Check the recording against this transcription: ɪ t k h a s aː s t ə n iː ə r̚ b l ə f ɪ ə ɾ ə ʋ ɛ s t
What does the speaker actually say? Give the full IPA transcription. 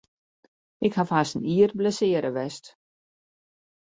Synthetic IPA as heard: ɪ k h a f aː s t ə n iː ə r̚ b l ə s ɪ ə ɾ ə ʋ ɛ s t